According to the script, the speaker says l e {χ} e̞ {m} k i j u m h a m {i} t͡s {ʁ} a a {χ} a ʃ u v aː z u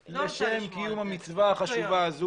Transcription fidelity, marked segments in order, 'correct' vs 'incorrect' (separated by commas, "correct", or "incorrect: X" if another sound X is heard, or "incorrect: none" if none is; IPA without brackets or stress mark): incorrect: ʃ, correct, correct, incorrect: v, correct